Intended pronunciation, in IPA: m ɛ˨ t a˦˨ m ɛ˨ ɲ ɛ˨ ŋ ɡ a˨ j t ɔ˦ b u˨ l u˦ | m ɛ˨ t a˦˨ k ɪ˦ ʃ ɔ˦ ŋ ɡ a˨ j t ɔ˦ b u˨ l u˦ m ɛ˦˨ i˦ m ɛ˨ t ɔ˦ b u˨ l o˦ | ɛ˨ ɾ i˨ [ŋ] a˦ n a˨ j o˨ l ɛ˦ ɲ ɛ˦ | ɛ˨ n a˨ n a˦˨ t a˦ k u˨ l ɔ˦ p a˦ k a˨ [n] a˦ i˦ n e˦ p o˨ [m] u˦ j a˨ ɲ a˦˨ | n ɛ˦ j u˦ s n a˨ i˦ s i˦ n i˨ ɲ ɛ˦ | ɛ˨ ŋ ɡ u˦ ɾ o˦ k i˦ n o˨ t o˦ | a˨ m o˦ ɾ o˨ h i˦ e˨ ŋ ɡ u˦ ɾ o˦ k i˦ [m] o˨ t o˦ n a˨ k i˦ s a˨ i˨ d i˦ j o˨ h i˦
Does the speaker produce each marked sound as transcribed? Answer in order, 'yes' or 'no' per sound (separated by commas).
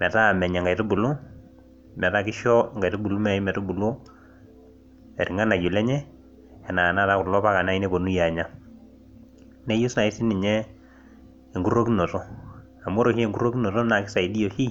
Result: yes, yes, no, no